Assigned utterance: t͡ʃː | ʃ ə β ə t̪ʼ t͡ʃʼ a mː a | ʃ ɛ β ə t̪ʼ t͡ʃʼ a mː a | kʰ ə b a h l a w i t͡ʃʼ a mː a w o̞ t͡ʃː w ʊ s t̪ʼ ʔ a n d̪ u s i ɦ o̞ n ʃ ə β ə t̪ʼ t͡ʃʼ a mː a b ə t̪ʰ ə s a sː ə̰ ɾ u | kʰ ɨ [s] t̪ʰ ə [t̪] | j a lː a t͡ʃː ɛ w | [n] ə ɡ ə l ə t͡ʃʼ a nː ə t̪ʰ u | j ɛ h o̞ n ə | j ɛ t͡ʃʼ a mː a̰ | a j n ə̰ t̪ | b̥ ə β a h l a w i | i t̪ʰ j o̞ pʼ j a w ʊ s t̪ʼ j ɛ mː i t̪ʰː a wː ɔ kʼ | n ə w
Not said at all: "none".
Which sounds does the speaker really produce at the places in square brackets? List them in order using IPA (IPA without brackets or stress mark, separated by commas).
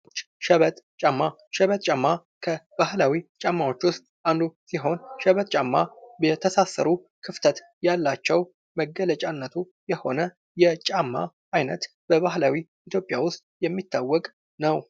f, t̪, m